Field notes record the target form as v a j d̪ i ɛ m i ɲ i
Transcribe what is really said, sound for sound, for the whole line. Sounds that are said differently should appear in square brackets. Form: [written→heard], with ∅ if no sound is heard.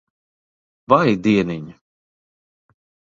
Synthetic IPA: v a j d̪ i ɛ [m→n] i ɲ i